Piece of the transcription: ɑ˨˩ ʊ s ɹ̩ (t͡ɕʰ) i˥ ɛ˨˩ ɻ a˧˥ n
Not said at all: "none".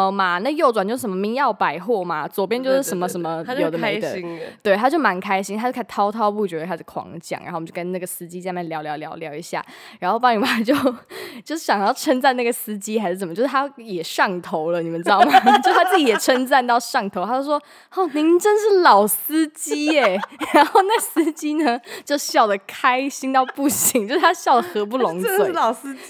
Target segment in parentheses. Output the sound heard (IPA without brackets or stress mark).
t͡ɕ